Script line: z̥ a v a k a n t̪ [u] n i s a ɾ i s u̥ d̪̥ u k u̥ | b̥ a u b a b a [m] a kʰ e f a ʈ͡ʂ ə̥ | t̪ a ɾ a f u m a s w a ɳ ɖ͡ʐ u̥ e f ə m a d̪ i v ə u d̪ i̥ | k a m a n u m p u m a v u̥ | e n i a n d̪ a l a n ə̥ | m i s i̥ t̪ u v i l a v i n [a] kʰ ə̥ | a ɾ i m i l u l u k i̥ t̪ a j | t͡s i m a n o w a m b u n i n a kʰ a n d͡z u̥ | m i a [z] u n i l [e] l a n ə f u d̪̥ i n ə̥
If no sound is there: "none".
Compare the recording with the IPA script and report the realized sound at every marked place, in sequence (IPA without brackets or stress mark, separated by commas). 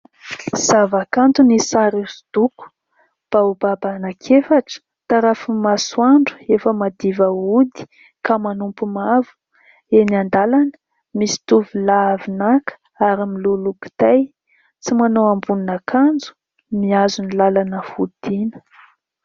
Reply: u, n, a, z, a